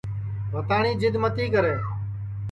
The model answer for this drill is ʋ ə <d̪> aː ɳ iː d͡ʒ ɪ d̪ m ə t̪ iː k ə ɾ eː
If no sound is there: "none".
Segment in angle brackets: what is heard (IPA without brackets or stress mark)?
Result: t̪